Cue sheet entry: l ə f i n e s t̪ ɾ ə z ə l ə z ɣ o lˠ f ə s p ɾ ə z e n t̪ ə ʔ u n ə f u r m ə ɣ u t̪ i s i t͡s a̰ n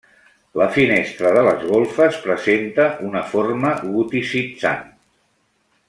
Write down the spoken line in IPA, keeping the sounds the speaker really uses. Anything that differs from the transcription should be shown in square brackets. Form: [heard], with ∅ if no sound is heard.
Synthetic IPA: l ə f i n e s t̪ ɾ ə [ð] ə l ə z ɣ o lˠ f ə s p ɾ ə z e n t̪ ə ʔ u n ə f [o] r m ə ɣ u t̪ i s i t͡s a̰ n